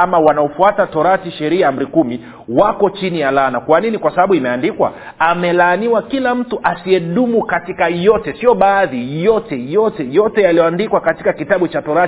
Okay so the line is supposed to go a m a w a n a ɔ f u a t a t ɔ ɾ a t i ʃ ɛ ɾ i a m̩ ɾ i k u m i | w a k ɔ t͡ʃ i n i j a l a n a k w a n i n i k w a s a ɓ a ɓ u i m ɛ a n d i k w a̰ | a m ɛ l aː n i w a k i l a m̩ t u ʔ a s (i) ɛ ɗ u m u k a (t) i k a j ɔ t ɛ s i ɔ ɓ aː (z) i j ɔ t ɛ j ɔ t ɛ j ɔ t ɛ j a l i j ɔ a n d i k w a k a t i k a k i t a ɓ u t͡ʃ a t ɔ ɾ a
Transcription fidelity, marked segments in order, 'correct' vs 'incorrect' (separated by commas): correct, correct, incorrect